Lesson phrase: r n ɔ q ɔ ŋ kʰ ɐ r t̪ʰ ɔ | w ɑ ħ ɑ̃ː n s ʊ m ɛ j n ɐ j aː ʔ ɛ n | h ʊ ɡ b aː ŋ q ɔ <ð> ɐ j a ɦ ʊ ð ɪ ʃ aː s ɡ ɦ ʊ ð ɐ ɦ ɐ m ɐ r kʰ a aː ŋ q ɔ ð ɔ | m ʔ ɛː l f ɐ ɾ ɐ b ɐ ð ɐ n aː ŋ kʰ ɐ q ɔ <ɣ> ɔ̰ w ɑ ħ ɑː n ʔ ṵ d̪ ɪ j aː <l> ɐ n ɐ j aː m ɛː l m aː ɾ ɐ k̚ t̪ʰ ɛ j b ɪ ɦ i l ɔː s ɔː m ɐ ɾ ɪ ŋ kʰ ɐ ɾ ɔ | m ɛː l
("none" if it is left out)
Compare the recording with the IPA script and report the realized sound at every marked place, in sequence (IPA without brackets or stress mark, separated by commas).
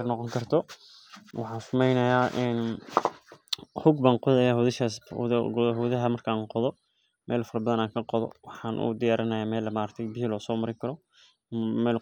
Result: ð, ð, ɾ